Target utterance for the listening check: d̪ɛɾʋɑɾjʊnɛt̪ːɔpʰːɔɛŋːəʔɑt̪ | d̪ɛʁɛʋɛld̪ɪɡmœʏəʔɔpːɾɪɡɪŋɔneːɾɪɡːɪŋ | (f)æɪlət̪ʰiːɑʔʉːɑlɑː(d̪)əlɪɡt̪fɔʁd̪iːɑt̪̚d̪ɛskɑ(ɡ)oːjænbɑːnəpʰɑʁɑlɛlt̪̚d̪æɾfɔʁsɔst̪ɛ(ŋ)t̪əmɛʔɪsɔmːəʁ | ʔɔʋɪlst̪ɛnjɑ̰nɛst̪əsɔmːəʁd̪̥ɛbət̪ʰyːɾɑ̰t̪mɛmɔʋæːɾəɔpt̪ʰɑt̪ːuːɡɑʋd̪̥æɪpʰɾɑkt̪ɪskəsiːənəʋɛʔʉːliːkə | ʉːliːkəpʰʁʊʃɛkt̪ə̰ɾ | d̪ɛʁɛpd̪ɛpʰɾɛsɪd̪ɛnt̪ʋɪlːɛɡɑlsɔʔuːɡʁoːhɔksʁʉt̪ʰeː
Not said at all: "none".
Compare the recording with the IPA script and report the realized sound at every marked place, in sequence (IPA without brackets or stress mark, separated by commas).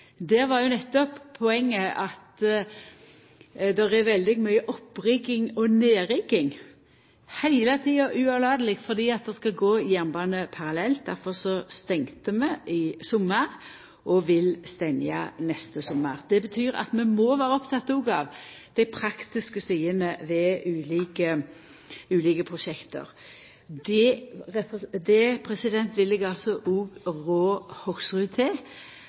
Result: h, d̪, ɡ, ŋ